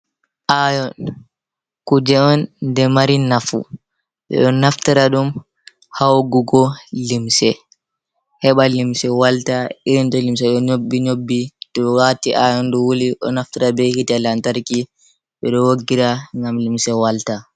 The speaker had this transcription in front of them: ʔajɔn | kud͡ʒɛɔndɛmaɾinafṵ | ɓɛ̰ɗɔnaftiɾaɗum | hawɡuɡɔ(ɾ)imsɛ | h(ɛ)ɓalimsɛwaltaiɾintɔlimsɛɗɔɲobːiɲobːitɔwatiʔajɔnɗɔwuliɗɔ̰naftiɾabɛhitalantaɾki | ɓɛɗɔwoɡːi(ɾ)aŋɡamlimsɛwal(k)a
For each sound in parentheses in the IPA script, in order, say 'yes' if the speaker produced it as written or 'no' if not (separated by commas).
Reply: no, yes, yes, no